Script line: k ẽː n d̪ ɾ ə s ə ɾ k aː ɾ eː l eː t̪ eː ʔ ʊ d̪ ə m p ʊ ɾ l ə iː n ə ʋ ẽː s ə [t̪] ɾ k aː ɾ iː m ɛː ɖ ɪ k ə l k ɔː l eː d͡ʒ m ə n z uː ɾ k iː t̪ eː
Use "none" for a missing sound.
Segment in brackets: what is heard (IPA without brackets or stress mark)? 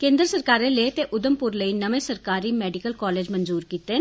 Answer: none